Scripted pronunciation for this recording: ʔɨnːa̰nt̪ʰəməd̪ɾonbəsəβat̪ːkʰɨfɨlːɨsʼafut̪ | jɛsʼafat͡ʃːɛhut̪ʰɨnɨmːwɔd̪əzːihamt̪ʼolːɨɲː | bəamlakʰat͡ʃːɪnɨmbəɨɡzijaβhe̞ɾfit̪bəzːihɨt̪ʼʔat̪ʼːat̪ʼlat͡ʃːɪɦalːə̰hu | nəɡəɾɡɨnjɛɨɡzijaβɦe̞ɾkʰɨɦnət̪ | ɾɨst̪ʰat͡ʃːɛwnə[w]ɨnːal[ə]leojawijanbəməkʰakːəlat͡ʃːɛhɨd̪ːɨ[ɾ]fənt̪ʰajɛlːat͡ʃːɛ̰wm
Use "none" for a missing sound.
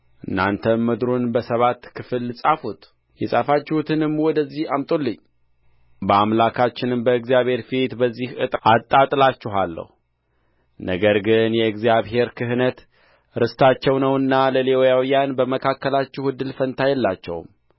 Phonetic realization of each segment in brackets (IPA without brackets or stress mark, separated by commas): w, ə, l